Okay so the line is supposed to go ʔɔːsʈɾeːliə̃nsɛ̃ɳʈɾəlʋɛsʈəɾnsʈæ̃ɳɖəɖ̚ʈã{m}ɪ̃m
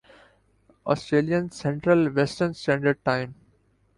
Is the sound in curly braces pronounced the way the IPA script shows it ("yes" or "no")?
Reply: no